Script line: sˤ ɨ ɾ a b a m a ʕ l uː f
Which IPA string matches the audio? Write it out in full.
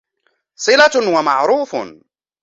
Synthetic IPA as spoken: sˤ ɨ l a w a m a ʕ ɾ uː f